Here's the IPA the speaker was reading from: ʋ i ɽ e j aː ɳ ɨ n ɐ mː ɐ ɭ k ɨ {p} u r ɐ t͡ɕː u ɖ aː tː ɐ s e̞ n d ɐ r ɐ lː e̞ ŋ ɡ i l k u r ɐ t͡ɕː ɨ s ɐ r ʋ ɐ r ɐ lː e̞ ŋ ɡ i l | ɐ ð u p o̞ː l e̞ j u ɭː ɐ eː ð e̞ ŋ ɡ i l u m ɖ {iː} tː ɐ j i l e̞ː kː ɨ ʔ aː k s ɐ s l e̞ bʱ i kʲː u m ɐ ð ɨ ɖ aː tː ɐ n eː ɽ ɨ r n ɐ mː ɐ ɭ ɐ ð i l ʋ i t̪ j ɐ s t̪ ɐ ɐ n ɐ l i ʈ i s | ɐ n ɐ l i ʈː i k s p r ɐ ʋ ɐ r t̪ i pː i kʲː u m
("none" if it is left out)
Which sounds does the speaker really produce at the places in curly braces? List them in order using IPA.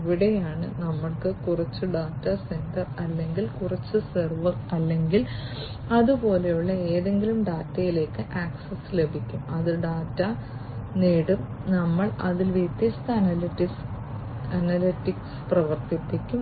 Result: k, aː

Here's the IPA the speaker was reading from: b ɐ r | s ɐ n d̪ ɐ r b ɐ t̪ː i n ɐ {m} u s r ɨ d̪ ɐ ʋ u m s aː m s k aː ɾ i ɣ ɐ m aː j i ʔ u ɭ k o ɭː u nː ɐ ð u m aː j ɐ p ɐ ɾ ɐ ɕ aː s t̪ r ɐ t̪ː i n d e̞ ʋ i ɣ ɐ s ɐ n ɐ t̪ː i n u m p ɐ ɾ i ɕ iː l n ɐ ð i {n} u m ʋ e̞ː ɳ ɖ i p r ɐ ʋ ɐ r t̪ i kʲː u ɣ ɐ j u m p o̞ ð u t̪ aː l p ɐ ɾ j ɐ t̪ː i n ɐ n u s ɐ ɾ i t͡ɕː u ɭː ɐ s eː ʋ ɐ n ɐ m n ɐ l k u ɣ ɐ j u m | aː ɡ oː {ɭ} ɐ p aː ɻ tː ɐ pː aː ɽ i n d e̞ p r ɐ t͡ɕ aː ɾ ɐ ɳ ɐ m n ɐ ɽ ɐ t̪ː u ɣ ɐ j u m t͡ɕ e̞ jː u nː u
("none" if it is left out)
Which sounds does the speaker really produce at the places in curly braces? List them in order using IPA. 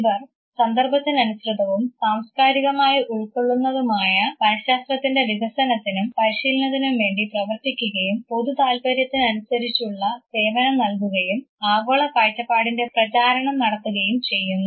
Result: n, n, ɭ

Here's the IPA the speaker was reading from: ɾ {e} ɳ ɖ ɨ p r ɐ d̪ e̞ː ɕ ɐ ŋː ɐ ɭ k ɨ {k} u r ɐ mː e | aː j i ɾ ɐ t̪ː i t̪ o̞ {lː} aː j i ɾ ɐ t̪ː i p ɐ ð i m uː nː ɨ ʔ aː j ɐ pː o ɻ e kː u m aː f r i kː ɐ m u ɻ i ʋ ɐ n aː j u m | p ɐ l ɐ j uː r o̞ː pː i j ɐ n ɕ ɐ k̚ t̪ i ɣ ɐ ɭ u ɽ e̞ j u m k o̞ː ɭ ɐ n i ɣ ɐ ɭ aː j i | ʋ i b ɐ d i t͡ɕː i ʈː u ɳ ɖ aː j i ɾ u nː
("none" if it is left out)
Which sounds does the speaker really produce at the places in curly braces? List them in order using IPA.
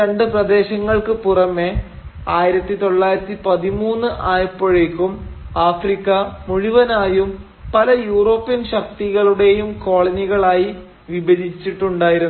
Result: e, p, ɭː

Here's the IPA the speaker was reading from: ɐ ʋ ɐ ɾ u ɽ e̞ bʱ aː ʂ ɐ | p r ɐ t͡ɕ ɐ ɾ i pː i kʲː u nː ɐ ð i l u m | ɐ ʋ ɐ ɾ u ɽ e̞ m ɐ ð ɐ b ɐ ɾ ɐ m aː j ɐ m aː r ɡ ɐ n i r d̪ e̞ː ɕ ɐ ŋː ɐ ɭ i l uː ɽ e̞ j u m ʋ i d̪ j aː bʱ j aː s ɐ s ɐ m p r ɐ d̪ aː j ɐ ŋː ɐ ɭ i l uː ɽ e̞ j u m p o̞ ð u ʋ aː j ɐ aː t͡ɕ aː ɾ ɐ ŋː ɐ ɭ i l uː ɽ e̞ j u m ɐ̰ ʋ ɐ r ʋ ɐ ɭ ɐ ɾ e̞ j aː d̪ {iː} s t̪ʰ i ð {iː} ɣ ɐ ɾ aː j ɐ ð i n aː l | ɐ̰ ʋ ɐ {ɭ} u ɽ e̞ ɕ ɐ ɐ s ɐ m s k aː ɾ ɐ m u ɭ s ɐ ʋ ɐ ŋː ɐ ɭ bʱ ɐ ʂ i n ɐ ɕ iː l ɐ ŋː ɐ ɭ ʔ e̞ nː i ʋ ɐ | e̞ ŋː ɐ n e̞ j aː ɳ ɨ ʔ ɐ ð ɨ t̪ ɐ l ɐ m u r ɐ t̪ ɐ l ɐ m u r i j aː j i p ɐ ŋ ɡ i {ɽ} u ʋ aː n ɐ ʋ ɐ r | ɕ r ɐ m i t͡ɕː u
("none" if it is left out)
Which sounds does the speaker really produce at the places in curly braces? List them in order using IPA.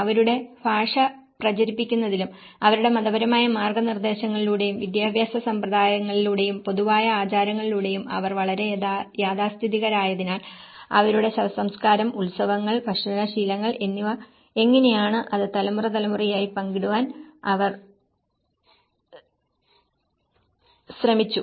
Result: aː, i, ɾ, ɽ

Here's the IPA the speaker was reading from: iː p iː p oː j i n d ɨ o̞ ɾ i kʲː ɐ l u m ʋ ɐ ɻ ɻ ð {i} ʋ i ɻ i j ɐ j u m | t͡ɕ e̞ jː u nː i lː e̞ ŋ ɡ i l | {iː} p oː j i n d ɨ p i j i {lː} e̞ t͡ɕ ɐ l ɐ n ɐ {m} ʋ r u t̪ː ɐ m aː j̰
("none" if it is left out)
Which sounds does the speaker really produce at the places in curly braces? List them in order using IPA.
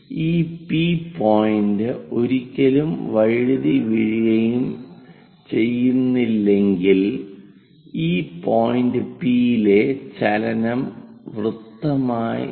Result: i, iː, l, m

